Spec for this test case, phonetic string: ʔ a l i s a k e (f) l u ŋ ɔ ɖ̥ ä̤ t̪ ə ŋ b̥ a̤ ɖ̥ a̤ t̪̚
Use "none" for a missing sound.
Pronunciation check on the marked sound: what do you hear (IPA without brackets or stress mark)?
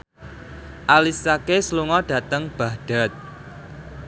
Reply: s